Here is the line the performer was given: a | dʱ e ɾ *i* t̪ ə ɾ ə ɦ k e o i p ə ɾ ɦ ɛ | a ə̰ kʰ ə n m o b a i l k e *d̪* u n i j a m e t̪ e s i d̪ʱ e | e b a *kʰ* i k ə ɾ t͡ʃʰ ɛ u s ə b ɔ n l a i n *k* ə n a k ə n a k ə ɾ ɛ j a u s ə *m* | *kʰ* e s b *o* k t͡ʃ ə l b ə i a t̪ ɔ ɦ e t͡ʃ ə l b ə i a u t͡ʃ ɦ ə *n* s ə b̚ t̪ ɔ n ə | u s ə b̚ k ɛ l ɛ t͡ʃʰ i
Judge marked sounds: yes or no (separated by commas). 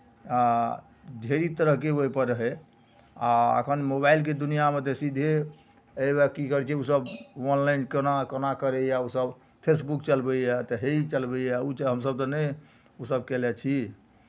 yes, yes, no, yes, no, no, no, no